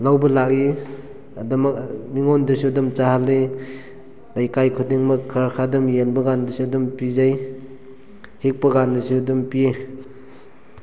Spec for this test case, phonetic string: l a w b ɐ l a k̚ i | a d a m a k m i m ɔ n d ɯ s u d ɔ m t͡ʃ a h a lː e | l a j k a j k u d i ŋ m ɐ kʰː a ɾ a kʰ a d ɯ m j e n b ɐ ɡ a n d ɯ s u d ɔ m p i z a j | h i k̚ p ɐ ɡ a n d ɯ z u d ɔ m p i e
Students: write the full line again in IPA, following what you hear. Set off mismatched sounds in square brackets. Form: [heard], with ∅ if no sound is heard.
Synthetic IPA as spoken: l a w b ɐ l a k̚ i | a d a m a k m i [ŋ] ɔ n d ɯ s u d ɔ m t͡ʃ a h a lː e | l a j k a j [kʰ] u d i ŋ m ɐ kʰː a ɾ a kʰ a d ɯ m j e n b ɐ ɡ a n d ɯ s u d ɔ m p i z a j | h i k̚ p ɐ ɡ a n d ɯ [s] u d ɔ m p i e

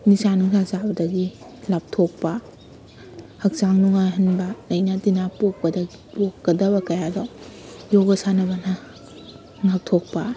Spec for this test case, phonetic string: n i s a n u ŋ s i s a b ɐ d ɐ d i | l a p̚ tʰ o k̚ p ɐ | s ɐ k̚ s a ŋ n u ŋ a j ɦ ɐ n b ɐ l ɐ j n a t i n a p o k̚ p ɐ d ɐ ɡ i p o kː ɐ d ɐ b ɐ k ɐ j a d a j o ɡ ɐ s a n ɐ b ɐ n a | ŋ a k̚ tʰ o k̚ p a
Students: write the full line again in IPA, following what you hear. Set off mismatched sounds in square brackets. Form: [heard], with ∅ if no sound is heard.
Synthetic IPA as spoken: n i s a n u ŋ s [a] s a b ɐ d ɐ [ɡ] i | l a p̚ tʰ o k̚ p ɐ | [h] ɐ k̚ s a ŋ n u ŋ a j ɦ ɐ n b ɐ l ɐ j n a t i n a p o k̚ p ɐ d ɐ ɡ i p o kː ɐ d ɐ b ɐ k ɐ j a d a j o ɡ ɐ s a n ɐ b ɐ n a | ŋ a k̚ tʰ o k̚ p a

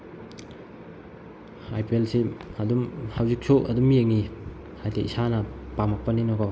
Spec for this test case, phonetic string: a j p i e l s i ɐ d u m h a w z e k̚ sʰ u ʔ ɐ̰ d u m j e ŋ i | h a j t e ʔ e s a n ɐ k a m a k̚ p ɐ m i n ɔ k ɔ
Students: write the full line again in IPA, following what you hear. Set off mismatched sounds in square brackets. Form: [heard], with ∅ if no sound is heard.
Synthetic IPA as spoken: a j p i e l s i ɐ d u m h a w z [i] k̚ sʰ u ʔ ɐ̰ d u m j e ŋ i | h a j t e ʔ [i] s a n ɐ [p] a m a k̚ p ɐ [n] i n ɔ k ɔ

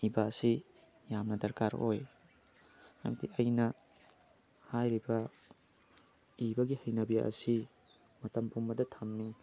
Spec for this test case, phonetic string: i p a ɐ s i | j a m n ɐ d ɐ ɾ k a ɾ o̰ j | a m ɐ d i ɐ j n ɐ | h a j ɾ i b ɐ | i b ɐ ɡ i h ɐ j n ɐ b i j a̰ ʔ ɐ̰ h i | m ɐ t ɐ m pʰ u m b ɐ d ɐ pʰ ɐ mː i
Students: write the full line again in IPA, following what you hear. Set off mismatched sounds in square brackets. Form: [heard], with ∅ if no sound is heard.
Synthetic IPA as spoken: i [b] a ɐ s i | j a m n ɐ d ɐ ɾ k a ɾ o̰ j | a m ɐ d i ɐ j n ɐ | h a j ɾ i b ɐ | i b ɐ ɡ i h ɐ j n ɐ b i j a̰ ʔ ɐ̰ [s] i | m ɐ t ɐ m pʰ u m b ɐ d ɐ [tʰ] ɐ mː i

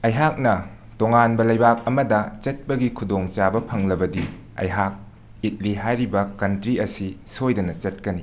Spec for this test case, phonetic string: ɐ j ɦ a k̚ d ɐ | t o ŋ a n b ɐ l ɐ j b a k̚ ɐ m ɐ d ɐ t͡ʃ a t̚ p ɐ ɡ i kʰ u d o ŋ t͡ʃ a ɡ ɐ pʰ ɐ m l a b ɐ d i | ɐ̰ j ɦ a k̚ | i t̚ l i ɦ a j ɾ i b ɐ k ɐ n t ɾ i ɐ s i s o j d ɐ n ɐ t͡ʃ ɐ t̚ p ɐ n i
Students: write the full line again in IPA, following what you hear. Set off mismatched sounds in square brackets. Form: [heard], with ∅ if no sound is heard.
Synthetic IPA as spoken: ɐ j ɦ a k̚ [n] ɐ | t o ŋ a n b ɐ l ɐ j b a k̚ ɐ m ɐ d ɐ t͡ʃ [ɐ] t̚ p ɐ ɡ i kʰ u d o ŋ t͡ʃ a [b] ɐ pʰ ɐ [ŋ] l [ɐ] b ɐ d i | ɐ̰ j ɦ a k̚ | i t̚ l i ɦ a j ɾ i b ɐ k ɐ n t ɾ i ɐ s i s o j d ɐ n ɐ t͡ʃ ɐ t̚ [k] ɐ n i

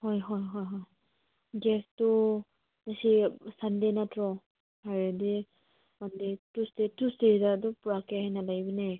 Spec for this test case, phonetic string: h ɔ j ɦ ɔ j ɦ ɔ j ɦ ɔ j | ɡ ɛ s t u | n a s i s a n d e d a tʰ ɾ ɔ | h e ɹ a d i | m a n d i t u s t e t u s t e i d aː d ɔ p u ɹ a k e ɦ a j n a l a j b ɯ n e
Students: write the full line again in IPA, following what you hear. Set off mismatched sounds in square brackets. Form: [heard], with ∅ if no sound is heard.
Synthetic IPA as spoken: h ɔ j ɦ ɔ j ɦ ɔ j ɦ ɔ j | ɡ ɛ s t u | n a s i s a n d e [n] a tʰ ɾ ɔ | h [a] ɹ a d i | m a n d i t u s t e t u s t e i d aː d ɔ p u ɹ a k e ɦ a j n a l a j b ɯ n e

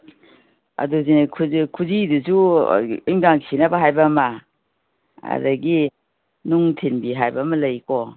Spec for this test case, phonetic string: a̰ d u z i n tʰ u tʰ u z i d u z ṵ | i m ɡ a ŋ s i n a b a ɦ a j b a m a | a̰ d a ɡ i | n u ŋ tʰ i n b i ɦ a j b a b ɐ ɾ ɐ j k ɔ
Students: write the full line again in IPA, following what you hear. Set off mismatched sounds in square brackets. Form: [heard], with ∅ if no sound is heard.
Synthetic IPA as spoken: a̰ d u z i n [kʰ] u [kʰ] u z i d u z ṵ | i [ŋ] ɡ a ŋ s i n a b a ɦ a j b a m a | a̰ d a ɡ i | n u ŋ tʰ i n b i ɦ a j b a [m] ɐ [l] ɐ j k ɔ

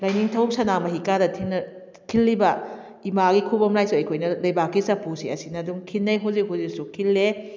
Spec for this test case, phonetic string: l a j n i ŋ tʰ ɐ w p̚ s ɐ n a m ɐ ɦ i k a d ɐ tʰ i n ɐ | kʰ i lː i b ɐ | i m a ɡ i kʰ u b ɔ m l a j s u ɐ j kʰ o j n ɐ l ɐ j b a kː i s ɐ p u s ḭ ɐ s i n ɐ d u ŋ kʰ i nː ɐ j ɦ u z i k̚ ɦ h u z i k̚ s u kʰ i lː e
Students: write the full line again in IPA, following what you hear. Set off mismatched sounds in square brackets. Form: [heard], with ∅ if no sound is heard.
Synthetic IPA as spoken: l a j n i ŋ tʰ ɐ w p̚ s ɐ n a m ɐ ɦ i k a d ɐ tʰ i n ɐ | kʰ i lː i b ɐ | i m a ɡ i kʰ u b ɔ m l a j s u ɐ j kʰ o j n ɐ l ɐ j b a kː i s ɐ p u s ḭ ɐ s i n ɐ d u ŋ kʰ i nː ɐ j ɦ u z i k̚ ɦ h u z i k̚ s u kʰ i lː e

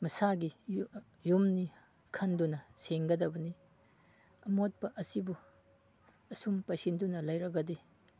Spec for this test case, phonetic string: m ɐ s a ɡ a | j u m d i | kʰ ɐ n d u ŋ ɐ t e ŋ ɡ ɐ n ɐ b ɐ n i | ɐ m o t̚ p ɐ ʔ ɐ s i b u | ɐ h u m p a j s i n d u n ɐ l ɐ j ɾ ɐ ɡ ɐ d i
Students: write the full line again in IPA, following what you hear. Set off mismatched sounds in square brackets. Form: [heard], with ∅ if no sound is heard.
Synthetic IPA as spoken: m ɐ s a ɡ [i] | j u m [n] i | kʰ ɐ n d u [n] ɐ [s] e ŋ ɡ ɐ [d] ɐ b ɐ n i | ɐ m o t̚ p ɐ ʔ ɐ s i b u | ɐ [s] u m p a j s i n d u n ɐ l ɐ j ɾ ɐ ɡ ɐ d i

